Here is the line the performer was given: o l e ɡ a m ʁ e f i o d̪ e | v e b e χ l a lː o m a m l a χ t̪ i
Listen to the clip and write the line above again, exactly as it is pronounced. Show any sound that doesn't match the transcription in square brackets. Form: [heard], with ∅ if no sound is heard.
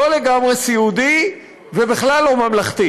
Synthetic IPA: o l e ɡ a m ʁ e [s] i [u] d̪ [i] | v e b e χ l a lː o m a m l a χ t̪ i